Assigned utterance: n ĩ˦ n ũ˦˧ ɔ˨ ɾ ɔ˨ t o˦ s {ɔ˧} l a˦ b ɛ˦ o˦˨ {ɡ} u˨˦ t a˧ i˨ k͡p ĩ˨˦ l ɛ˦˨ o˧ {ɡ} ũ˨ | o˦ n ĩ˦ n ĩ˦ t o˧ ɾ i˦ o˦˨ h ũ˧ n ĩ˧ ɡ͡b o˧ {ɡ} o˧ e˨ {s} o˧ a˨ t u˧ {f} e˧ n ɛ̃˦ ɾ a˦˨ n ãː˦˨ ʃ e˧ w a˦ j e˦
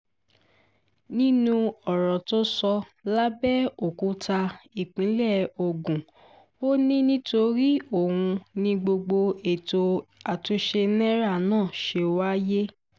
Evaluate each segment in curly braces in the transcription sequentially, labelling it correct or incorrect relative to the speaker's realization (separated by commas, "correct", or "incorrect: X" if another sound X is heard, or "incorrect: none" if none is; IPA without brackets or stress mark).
correct, incorrect: k, correct, incorrect: ɡ͡b, incorrect: t, incorrect: ʃ